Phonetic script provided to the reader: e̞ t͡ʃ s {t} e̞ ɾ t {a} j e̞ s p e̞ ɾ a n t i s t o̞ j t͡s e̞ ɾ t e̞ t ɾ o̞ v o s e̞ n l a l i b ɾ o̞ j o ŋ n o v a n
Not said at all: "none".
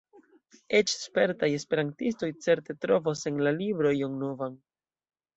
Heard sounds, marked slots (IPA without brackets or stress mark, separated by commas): p, a